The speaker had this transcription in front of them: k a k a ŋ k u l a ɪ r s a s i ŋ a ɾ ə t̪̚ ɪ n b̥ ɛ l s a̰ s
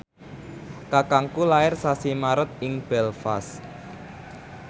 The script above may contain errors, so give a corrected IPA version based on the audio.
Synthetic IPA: k a k a ŋ k u l a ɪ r s a s i m a ɾ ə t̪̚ ɪ ŋ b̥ ɛ l f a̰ s